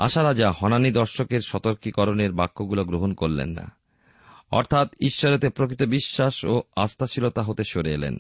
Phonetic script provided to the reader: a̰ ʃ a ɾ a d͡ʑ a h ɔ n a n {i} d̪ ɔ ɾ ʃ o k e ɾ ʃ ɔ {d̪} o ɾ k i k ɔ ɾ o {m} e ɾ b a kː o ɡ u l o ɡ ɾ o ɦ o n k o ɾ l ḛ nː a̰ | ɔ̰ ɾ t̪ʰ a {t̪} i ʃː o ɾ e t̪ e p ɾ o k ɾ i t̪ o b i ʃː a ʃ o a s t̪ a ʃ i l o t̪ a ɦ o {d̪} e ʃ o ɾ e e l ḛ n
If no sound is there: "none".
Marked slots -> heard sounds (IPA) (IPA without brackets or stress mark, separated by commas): i, t̪, n, t̪, t̪